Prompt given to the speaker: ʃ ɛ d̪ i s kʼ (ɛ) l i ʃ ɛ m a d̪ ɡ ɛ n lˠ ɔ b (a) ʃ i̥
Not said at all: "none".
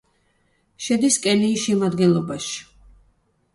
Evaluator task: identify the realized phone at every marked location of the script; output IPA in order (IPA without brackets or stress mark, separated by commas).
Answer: ɛ, a